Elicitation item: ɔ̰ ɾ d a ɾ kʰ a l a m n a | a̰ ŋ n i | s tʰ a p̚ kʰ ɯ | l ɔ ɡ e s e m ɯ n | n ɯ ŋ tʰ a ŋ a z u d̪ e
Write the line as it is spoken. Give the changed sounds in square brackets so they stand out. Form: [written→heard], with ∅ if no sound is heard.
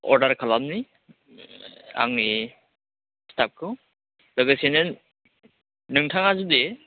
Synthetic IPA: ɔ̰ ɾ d a ɾ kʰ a l a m n [a→i] | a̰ ŋ n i | s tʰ a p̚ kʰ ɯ | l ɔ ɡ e s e [m→n] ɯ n | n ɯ ŋ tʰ a ŋ a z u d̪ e